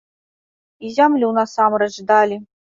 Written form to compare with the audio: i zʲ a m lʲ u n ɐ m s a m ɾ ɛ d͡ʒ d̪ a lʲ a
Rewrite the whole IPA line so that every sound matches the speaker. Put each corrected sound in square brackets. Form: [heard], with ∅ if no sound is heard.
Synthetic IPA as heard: i zʲ a m lʲ u n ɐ [∅] s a m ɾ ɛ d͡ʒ d̪ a lʲ [i]